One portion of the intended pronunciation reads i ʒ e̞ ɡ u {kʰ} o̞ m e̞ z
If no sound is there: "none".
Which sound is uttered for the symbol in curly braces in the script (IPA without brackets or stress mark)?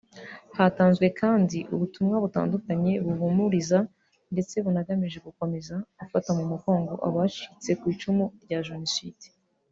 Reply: k